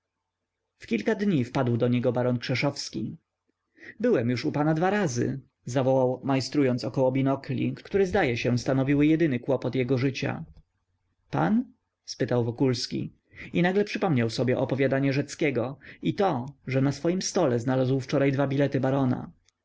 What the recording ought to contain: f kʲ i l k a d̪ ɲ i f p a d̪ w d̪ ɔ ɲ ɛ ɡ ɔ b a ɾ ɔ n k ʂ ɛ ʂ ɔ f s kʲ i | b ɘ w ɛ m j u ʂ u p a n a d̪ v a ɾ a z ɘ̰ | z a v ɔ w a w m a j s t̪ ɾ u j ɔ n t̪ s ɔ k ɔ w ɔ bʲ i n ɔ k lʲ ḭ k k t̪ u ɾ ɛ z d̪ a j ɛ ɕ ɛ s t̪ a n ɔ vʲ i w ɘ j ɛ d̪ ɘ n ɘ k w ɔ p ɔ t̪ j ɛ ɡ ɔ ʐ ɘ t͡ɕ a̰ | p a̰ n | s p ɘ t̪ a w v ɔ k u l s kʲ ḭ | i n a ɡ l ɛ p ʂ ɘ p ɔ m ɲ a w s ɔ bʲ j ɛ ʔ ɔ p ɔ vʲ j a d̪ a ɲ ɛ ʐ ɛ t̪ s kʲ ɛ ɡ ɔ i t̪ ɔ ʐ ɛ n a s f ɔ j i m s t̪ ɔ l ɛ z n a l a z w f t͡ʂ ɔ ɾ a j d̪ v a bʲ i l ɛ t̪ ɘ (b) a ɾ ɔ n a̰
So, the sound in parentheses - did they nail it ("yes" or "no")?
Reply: yes